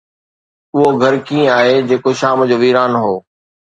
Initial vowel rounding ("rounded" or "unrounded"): rounded